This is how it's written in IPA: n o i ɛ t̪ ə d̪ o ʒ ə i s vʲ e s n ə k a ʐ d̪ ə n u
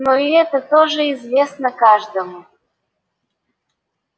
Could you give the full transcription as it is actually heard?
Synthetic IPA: n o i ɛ t̪ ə t̪ o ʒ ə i z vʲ e s n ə k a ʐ d̪ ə m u